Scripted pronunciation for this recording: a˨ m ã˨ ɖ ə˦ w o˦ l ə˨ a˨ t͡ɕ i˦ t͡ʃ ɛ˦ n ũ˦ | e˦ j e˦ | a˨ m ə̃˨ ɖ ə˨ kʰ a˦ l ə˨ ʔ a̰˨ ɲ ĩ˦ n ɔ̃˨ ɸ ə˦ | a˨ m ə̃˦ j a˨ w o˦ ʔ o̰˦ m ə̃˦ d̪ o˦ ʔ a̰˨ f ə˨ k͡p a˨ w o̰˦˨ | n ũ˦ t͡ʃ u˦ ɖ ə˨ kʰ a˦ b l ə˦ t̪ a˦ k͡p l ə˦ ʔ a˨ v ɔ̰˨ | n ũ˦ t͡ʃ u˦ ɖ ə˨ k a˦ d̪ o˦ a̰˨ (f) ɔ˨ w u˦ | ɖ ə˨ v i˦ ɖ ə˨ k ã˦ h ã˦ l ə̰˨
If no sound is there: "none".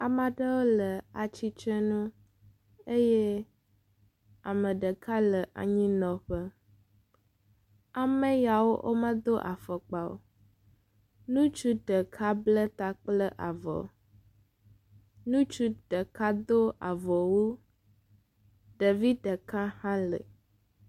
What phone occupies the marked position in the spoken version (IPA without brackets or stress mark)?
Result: v